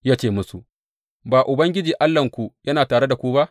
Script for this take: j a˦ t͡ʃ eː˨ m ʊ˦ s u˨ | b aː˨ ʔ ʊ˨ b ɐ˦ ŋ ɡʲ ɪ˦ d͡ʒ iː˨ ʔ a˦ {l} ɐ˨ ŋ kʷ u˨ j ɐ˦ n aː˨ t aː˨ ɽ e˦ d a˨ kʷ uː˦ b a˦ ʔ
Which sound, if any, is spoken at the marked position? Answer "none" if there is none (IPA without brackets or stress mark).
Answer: lː